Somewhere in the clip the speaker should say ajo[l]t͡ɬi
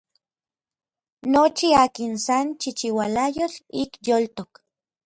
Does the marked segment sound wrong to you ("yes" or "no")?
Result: yes